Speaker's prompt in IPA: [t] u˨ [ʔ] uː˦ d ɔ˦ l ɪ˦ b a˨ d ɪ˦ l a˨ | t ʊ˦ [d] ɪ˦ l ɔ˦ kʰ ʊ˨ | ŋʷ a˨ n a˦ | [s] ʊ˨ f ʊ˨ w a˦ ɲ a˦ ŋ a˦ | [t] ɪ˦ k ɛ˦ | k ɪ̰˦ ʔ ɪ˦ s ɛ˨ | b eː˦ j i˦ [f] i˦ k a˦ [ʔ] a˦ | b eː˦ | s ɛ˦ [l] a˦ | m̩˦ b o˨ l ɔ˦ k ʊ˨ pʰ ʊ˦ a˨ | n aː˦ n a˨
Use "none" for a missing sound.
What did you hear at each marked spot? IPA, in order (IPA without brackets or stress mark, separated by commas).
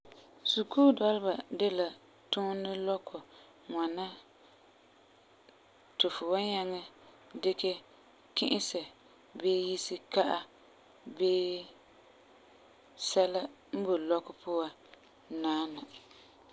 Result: s, k, n, t, d, s, ʔ, l